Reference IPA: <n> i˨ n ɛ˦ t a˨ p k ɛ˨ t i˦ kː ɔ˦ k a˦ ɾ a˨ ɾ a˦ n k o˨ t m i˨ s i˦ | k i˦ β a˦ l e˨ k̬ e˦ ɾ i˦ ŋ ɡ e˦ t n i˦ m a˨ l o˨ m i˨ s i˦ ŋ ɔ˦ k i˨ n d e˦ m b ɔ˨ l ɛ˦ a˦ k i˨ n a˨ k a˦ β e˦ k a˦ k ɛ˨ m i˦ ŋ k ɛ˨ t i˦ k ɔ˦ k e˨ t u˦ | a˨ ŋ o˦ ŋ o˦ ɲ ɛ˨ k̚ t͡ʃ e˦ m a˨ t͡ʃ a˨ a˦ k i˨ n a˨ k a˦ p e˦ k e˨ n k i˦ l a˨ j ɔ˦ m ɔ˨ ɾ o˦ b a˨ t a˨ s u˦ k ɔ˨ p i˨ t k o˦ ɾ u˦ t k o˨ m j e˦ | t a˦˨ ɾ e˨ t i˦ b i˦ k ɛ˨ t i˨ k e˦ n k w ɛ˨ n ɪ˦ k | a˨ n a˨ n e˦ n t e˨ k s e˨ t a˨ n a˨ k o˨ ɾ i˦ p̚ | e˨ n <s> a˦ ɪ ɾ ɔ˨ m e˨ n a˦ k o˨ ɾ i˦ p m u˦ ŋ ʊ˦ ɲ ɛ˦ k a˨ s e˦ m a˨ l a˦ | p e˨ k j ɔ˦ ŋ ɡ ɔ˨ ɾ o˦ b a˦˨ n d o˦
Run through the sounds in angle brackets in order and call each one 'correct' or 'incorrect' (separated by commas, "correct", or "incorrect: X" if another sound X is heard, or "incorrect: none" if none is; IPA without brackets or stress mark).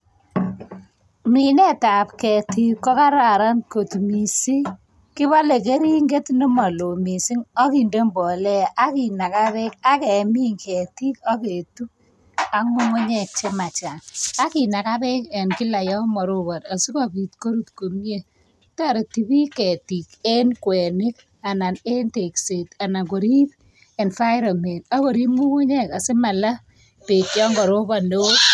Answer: incorrect: m, incorrect: f